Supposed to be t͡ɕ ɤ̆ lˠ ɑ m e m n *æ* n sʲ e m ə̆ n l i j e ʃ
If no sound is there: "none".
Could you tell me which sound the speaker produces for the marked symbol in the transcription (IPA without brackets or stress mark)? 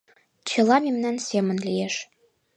æ